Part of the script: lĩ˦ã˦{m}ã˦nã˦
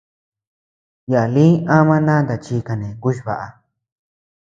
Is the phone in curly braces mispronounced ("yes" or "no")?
no